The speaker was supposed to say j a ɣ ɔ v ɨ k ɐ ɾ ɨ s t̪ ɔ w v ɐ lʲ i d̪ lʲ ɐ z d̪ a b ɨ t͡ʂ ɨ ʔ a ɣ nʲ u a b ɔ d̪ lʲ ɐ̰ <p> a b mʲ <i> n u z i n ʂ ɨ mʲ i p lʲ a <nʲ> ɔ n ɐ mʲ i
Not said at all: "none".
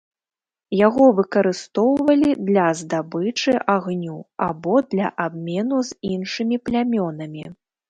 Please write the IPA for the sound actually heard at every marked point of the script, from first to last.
ʔ, ɛ, mʲ

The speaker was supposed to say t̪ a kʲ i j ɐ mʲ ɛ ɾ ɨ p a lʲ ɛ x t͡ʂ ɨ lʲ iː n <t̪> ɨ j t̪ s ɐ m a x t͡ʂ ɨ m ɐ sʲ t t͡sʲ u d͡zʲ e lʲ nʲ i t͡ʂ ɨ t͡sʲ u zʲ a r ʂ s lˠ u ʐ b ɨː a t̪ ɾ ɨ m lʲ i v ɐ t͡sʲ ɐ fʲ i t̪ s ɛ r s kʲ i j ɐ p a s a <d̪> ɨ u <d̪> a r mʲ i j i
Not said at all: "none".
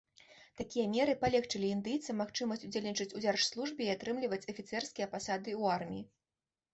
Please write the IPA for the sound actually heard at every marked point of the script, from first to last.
d̪, d̪, none

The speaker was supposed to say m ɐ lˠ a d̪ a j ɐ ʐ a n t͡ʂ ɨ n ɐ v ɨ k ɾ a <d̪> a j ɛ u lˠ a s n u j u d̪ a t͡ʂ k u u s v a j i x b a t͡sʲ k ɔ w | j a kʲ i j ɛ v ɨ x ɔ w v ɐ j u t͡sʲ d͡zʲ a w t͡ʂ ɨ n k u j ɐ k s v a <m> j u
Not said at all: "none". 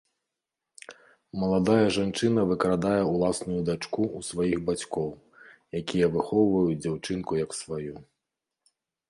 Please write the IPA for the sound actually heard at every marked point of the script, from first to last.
d̪, none

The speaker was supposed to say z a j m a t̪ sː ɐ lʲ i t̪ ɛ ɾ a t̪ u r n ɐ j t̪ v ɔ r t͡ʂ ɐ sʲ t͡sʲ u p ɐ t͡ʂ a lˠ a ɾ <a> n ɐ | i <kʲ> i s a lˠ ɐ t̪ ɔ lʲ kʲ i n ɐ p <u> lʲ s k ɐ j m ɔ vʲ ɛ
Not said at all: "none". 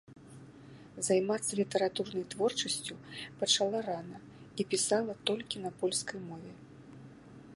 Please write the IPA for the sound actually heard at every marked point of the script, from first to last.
a, pʲ, ɔ

